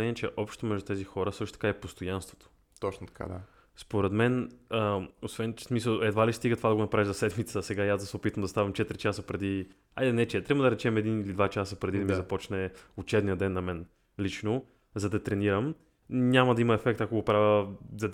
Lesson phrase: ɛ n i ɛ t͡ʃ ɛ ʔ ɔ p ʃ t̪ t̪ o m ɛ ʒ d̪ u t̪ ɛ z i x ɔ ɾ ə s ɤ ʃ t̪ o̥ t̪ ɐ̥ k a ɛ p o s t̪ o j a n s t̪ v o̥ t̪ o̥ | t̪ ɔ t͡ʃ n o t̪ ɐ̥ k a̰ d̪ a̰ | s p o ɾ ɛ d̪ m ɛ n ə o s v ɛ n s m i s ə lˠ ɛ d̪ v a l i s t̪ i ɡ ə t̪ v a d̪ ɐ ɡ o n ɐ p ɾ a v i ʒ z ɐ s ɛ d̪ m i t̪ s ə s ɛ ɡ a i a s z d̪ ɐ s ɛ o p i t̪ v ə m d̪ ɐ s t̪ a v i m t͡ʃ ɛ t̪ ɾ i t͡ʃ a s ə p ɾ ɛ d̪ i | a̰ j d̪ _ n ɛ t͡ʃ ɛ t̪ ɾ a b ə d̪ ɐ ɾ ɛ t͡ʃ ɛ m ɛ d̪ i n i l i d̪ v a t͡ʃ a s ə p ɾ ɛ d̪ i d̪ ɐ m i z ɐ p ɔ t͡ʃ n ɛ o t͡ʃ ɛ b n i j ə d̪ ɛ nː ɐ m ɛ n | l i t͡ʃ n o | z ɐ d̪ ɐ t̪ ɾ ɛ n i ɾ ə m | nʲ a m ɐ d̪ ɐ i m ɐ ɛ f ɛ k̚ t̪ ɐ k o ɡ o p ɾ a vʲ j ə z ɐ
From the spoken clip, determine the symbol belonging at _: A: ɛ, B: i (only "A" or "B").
A